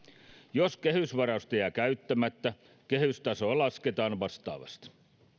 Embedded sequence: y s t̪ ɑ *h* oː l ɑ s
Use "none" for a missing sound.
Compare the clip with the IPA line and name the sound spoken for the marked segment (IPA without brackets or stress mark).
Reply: s